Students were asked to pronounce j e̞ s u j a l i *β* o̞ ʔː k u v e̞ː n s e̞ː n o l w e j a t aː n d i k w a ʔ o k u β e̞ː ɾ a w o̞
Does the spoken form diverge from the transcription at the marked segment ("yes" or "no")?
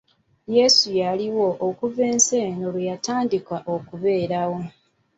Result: yes